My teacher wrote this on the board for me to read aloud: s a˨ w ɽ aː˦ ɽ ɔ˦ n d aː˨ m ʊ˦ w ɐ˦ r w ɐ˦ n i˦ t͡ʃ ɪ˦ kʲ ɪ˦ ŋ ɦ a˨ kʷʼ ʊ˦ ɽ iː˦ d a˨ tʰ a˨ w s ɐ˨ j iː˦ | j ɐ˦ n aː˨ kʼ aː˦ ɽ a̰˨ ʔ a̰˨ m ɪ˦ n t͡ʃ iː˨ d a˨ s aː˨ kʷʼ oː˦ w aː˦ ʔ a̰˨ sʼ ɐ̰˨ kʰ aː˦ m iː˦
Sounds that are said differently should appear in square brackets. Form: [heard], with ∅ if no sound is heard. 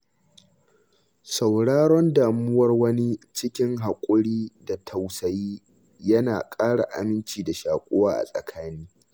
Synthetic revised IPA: s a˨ w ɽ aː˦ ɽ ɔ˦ n d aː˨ m ʊ˦ w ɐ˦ r w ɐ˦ n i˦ t͡ʃ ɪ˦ kʲ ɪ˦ ŋ ɦ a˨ kʷʼ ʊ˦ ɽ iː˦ d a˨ tʰ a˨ w s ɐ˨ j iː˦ | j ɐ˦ n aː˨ kʼ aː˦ ɽ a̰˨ ʔ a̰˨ m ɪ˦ n t͡ʃ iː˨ d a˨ [ʃ] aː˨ kʷʼ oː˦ w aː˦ ʔ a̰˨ sʼ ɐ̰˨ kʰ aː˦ [n] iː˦

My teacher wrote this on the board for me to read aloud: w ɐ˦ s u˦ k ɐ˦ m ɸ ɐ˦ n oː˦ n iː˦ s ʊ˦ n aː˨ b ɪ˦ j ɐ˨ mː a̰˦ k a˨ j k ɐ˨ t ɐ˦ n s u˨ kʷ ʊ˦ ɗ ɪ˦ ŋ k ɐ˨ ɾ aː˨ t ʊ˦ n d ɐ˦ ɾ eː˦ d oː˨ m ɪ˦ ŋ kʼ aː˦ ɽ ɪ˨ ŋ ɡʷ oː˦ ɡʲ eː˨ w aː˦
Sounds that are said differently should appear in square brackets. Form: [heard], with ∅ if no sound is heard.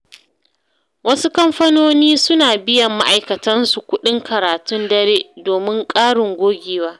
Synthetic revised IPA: w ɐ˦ s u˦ k ɐ˦ m ɸ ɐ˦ n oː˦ n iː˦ s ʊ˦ n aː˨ b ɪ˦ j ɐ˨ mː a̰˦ [ʔ] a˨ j k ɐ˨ t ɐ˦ n s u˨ kʷ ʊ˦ ɗ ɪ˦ ŋ k ɐ˨ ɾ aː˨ t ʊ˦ n d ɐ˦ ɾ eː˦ d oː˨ m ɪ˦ ŋ kʼ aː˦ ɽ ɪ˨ ŋ ɡʷ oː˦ ɡʲ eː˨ w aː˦

